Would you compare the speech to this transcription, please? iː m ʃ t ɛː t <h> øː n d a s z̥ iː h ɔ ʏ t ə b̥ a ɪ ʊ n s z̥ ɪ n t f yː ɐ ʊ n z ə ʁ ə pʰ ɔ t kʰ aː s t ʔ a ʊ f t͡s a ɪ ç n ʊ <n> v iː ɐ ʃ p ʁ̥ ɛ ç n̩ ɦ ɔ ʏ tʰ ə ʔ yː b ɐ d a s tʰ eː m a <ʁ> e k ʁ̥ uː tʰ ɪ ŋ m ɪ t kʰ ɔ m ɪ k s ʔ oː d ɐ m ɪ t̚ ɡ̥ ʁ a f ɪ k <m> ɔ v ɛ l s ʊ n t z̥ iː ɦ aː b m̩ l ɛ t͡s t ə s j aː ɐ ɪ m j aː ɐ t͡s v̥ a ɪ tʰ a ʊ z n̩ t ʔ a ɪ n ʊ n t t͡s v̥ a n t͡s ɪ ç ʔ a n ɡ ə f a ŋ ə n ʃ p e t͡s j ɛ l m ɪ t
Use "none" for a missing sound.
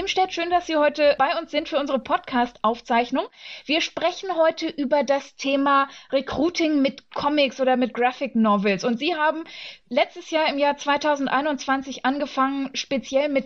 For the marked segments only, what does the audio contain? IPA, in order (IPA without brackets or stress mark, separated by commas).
ʃ, ŋ, ʁ, n